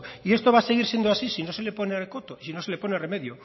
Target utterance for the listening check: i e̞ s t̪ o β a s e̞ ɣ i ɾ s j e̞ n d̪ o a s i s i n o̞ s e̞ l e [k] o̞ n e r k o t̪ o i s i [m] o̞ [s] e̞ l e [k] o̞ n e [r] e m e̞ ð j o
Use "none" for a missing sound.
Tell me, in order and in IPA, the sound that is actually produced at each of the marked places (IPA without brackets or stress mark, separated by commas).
p, n, s, p, r